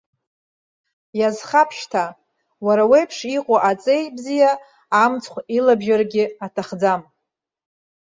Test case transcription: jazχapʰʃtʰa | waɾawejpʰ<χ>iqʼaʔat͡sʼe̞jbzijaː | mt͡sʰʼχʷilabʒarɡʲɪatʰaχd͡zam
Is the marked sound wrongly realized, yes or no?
yes